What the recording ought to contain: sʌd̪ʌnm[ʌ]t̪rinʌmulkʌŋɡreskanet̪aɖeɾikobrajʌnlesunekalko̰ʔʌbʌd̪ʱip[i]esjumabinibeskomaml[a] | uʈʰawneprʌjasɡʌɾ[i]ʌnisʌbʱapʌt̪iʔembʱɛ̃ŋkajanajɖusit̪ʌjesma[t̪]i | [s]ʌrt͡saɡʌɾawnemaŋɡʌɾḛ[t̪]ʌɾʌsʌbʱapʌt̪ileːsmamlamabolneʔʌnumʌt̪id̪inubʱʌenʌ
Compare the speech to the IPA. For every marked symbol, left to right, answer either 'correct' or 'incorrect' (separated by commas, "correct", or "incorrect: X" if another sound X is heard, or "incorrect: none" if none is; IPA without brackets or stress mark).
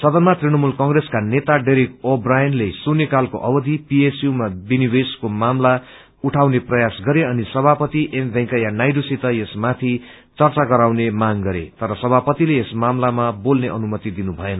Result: incorrect: a, correct, correct, incorrect: e, incorrect: t̪ʰ, incorrect: t͡s, correct